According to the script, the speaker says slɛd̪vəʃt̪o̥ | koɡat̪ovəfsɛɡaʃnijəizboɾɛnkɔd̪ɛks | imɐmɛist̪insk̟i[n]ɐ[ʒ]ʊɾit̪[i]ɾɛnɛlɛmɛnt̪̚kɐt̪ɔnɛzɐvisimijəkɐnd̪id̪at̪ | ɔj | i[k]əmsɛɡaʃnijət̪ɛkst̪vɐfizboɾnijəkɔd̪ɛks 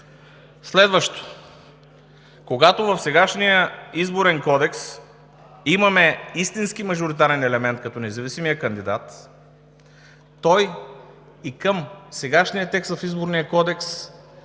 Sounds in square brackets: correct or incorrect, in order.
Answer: incorrect, correct, incorrect, correct

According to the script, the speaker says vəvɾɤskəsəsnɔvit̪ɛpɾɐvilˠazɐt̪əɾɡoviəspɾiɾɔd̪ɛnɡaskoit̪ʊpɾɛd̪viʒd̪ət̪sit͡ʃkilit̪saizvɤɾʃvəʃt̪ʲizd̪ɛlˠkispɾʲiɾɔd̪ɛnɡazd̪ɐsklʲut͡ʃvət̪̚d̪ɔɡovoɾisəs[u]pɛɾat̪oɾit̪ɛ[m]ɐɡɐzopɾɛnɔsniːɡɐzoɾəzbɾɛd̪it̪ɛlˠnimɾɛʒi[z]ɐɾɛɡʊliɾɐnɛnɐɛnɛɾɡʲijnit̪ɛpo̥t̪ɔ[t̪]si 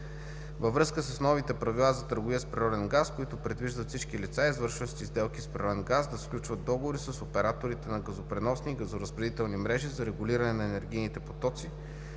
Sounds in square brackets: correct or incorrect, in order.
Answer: incorrect, incorrect, correct, correct

